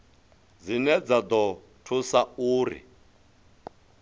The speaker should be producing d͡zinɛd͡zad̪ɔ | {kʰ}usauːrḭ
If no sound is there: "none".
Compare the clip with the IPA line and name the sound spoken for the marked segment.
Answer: tʰ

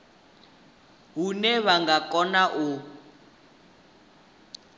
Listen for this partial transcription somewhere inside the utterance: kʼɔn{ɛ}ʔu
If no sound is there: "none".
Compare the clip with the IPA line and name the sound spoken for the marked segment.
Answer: a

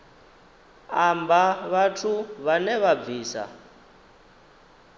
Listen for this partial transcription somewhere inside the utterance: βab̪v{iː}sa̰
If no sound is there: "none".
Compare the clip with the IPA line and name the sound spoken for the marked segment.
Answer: iː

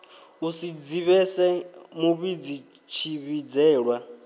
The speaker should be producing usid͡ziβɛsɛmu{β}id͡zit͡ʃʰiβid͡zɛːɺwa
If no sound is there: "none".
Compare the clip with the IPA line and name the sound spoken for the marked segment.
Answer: β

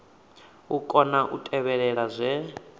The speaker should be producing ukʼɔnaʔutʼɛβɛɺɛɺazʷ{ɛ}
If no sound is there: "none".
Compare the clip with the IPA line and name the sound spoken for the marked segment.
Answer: ɛ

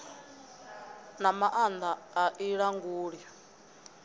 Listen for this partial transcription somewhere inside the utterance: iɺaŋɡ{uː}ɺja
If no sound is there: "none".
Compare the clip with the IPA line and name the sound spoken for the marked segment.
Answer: uː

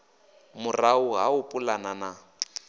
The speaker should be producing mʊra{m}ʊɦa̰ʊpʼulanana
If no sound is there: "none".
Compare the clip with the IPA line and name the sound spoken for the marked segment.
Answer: none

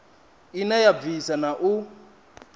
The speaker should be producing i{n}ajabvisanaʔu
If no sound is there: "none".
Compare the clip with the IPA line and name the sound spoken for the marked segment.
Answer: n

